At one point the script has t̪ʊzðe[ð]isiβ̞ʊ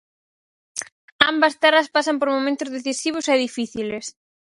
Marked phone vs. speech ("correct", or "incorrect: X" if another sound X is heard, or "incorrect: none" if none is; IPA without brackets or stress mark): incorrect: θ